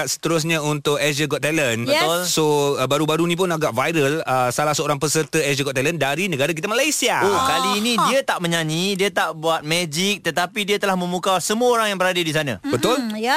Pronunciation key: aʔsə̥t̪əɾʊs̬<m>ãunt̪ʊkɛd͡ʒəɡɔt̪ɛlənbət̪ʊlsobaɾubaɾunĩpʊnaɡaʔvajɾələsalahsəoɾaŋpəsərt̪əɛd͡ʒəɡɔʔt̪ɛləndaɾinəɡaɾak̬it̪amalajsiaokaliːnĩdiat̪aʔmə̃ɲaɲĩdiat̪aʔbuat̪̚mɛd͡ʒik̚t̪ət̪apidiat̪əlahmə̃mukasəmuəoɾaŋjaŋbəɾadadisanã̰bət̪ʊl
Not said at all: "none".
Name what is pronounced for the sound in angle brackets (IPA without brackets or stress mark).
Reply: ɲ